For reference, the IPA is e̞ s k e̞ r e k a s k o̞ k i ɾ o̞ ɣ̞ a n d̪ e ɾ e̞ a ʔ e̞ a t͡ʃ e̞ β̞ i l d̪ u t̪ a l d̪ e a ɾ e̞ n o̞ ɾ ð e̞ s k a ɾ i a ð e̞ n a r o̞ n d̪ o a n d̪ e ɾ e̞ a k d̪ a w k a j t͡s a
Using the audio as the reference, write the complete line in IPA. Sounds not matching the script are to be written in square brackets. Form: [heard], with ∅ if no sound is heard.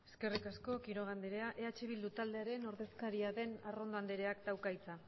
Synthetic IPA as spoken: e̞ s k e̞ r [i] k a s k o̞ k i ɾ o̞ ɣ̞ a n d̪ e ɾ e̞ a ʔ e̞ a t͡ʃ e̞ β̞ i l d̪ u t̪ a l d̪ e a ɾ e̞ n o̞ ɾ ð e̞ s k a ɾ i a ð e̞ n a r o̞ n d̪ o a n d̪ e ɾ e̞ a k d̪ a w k a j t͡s a